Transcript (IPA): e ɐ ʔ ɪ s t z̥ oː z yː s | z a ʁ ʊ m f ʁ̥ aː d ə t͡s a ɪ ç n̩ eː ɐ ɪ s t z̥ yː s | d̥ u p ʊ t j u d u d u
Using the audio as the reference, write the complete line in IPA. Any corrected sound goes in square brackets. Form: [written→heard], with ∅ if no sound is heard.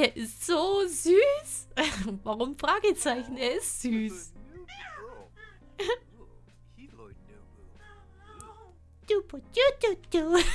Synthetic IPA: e ɐ ʔ ɪ s t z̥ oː z yː s | [z→v] a ʁ ʊ m f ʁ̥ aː [d→ɡ] ə t͡s a ɪ ç n̩ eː ɐ ɪ s t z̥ yː s | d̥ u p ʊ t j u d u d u